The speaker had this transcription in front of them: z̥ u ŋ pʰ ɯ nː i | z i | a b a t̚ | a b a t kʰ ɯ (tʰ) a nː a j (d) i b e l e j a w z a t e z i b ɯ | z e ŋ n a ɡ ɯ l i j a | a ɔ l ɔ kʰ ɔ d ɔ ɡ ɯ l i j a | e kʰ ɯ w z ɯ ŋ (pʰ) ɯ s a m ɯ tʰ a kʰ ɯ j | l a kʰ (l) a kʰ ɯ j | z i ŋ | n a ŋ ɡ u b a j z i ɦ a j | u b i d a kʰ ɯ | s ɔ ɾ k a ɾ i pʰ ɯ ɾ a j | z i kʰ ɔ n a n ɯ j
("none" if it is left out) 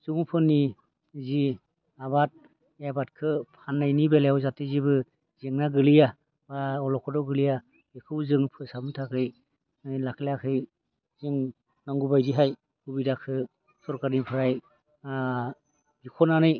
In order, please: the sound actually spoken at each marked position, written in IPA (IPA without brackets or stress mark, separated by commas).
pʰ, n, pʰ, l